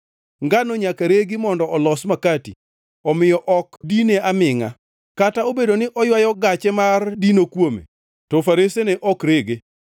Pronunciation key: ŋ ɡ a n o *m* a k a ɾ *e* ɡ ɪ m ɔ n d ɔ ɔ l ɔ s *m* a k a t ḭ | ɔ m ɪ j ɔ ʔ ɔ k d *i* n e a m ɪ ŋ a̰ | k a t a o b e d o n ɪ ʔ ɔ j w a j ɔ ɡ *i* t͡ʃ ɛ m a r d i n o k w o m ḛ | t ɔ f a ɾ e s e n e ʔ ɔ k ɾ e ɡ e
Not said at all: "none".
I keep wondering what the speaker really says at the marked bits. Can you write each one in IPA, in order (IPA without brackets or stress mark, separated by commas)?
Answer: ɲ, e, m, i, a